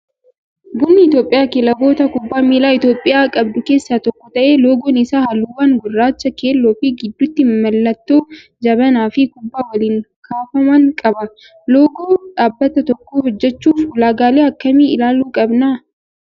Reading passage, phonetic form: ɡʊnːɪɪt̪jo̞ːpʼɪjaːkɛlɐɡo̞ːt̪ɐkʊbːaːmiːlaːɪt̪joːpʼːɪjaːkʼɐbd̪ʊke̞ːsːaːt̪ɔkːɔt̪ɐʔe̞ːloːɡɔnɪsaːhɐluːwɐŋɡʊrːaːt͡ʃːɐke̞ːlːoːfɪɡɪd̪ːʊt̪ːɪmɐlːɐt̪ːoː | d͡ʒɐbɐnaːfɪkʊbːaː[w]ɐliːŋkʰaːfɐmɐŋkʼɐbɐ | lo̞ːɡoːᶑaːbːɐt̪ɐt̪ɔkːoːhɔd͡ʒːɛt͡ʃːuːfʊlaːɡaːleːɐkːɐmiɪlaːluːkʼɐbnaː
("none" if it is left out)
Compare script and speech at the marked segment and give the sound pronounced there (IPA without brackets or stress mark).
w